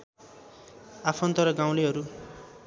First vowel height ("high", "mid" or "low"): low